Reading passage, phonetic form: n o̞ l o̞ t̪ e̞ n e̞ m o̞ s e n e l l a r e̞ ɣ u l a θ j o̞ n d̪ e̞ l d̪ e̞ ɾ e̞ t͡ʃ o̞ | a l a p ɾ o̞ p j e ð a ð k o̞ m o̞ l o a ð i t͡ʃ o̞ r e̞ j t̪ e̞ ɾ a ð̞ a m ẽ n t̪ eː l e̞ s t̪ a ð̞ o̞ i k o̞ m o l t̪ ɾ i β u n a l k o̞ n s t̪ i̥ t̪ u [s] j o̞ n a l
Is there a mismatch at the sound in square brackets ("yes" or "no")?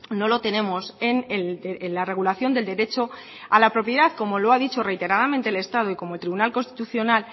yes